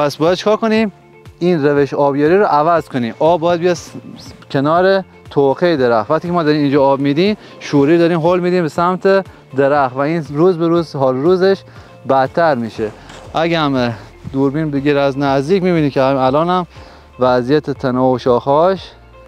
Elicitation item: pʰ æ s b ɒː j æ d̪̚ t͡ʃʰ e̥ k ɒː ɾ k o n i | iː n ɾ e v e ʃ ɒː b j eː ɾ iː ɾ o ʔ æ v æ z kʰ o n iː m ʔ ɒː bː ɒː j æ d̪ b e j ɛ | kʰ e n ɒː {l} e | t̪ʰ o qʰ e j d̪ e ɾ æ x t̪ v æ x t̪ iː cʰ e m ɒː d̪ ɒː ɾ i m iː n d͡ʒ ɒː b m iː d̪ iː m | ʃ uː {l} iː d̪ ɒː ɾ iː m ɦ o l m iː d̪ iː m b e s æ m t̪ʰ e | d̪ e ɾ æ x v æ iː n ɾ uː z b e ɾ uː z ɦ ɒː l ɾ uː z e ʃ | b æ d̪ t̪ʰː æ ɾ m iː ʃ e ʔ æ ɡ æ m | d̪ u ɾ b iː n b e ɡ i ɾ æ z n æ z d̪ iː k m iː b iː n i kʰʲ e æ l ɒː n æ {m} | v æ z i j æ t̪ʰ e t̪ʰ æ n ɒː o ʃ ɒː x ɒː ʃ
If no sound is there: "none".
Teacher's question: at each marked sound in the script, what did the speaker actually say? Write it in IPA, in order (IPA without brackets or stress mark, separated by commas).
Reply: ɾ, ɾ, m